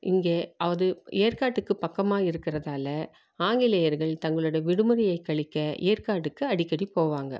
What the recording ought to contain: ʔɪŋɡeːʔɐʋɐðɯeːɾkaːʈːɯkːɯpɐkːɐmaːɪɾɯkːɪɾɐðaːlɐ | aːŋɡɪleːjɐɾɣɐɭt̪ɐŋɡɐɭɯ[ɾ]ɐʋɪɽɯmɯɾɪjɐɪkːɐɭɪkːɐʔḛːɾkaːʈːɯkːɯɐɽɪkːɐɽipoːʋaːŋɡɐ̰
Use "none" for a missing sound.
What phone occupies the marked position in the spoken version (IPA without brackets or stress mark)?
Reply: ɽ